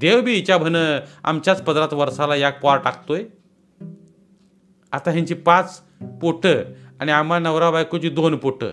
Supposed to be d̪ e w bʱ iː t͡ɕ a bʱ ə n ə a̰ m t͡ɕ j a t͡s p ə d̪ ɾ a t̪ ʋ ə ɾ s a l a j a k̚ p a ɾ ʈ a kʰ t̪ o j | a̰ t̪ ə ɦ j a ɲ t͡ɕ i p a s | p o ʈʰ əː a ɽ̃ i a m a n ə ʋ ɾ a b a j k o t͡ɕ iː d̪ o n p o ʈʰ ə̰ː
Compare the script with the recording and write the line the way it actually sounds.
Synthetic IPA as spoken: d̪ e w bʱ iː t͡ɕ a bʱ ə n ə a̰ m t͡ɕ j a t͡s p ə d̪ ɾ a t̪ ʋ ə ɾ s a l a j a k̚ p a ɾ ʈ a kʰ t̪ o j | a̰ t̪ a ɦ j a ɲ t͡ɕ i p a t͡s | p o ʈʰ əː a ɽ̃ i a m a n ə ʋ ɾ a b a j k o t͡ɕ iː d̪ o n p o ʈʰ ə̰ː